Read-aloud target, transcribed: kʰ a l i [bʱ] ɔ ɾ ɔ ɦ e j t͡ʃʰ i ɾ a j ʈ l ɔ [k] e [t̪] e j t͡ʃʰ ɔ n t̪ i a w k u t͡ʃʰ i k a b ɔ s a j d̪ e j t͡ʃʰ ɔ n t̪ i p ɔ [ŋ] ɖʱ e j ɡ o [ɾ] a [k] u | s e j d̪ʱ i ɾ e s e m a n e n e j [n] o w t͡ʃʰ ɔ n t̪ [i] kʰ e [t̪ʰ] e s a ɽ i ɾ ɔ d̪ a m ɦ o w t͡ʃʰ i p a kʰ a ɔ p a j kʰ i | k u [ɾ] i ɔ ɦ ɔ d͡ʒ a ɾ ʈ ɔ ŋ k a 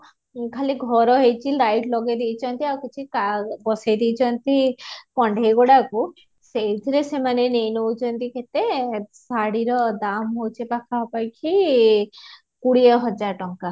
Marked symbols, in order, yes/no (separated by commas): no, no, no, no, no, yes, yes, yes, no, no